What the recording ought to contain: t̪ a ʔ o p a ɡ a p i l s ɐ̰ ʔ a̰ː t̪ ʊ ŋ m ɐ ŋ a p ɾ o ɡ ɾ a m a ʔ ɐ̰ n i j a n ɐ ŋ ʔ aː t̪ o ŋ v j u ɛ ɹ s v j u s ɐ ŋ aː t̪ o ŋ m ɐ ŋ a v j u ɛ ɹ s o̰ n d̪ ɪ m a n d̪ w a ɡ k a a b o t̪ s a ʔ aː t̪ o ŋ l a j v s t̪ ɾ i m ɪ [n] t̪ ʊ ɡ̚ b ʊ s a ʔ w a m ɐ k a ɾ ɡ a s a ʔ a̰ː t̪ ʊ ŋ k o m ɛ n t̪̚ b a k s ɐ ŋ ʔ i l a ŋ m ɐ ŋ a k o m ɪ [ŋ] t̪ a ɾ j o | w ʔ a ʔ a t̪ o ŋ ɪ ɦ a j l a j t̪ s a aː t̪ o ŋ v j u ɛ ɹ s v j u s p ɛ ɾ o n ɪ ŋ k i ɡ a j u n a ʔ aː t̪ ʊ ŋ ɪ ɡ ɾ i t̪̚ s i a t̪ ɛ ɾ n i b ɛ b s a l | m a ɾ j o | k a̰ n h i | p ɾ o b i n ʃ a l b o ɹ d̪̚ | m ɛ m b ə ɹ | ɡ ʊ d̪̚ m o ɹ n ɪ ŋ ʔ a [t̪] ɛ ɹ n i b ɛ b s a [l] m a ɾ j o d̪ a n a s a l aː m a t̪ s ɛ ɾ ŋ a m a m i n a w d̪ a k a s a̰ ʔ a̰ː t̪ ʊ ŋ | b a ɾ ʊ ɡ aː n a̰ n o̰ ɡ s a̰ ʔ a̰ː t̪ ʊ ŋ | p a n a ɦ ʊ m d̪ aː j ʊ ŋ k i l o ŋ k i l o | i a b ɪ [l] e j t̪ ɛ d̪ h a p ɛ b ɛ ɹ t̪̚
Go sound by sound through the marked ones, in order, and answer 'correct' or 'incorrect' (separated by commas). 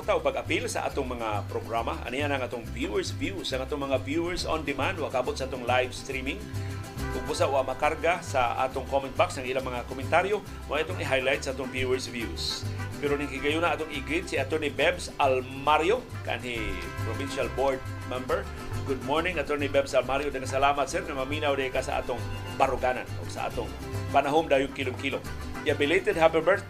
incorrect, incorrect, correct, correct, correct